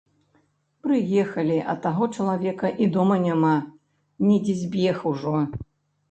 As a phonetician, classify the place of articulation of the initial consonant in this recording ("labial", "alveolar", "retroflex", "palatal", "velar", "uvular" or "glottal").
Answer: labial